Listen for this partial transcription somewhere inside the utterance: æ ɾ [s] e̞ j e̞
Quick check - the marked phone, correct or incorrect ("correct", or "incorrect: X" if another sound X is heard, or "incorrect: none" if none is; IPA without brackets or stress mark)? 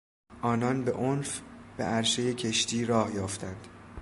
incorrect: ʃ